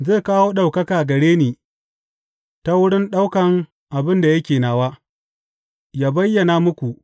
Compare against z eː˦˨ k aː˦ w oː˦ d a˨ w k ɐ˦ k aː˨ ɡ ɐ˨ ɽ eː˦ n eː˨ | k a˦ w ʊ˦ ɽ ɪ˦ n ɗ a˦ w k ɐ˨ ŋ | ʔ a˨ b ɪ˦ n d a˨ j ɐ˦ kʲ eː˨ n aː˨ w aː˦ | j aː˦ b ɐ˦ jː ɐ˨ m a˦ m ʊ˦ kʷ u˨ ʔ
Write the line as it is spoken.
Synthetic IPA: z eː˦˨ k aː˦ w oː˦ ɗ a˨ w k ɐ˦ k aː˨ ɡ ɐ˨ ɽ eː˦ n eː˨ | t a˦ w ʊ˦ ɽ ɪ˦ n ɗ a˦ w k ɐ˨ ŋ | ʔ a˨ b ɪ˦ n d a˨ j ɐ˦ kʲ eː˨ n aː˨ w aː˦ | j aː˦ b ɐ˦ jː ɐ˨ n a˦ m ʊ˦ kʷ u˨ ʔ

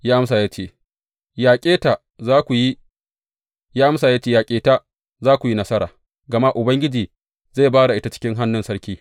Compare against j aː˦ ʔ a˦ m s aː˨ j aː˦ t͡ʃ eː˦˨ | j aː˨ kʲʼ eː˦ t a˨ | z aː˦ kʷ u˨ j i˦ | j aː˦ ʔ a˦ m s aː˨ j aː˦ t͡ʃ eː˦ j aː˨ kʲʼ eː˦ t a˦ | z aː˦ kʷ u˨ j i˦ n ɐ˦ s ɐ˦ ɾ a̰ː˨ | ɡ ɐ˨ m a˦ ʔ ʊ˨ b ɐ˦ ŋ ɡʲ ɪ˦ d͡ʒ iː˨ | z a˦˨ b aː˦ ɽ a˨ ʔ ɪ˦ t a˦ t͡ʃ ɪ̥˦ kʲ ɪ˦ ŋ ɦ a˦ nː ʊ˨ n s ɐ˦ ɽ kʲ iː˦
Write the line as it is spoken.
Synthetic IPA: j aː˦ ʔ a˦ m s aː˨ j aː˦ t͡ʃ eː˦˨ | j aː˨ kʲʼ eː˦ t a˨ | z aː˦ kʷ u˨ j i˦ | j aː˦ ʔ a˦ m s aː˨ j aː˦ t͡ʃ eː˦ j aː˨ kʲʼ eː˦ t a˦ | z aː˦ kʷ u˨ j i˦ n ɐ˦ s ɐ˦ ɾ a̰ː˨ | ɡ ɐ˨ m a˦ ʔ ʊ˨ b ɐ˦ ŋ ɡʲ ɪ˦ d͡ʒ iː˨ | z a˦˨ b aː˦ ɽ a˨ ʔ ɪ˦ t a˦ t͡ʃ ɪ̥˦ kʲ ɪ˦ ŋ ɦ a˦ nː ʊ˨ n s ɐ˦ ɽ kʲ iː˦

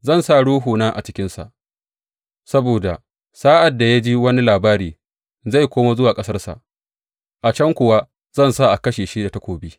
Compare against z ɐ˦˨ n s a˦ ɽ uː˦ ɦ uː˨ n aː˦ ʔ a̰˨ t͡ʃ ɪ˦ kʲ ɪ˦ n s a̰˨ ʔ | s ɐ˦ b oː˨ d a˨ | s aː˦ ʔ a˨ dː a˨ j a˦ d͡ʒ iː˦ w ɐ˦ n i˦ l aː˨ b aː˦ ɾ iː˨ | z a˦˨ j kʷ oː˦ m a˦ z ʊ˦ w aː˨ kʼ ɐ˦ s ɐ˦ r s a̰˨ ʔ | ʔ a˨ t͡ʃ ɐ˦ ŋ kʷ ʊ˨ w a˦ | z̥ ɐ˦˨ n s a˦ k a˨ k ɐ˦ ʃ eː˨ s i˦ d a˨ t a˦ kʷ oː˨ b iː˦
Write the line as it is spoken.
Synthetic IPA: z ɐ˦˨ n s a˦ ɽ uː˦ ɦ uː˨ n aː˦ ʔ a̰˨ t͡ʃ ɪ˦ kʲ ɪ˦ n s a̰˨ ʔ | s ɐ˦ b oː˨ d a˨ | s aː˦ ʔ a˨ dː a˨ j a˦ d͡ʒ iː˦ w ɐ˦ n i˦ l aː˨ b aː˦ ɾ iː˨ | z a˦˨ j kʷ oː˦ m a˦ z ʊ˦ w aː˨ kʼ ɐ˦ s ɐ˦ r s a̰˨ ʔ | ʔ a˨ t͡ʃ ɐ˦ ŋ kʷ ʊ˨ w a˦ | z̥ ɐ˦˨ n s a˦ ʔ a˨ k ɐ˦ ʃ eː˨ ʃ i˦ d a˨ t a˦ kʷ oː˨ b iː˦

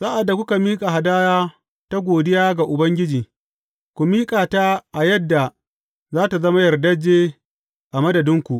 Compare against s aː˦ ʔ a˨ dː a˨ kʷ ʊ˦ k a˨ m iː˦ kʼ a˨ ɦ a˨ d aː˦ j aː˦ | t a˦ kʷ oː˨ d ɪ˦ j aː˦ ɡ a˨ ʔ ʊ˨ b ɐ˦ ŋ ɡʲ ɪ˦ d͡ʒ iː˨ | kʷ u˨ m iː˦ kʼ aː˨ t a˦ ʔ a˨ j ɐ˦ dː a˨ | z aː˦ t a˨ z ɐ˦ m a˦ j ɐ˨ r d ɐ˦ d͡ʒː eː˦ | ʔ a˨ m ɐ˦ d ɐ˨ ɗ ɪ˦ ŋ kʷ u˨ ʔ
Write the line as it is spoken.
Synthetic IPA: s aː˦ ʔ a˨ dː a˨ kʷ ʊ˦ k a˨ m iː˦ kʼ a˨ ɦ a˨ d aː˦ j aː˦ | t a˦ ɡʷ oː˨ d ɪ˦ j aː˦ ɡ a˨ ʔ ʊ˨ b ɐ˦ ŋ ɡʲ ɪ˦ d͡ʒ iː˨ | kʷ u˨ m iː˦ kʼ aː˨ t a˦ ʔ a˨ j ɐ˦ dː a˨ | z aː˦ t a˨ z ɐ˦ m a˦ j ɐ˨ r d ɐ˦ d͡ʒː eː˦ | ʔ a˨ m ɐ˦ d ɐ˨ d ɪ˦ ŋ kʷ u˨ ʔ

